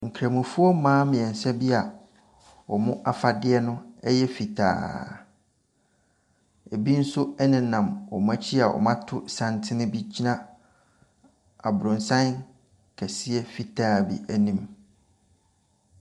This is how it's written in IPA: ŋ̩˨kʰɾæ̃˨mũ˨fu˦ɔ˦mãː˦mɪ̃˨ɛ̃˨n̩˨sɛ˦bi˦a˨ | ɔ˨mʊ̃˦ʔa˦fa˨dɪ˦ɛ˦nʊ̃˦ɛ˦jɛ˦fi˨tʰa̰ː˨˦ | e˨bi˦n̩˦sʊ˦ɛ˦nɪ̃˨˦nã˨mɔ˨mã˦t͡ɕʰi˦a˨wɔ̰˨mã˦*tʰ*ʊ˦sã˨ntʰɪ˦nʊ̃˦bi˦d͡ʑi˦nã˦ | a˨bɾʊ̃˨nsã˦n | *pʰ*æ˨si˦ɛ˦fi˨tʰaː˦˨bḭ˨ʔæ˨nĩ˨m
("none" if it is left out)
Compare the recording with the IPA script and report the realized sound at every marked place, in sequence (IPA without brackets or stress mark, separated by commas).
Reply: tʰ, kʰ